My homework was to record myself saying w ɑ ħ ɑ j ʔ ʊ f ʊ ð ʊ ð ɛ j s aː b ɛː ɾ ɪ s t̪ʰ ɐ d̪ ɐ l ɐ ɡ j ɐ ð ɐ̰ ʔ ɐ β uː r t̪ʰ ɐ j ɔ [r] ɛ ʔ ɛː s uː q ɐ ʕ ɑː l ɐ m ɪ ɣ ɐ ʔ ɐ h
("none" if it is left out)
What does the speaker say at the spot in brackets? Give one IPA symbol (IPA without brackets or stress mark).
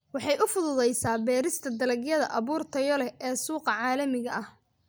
l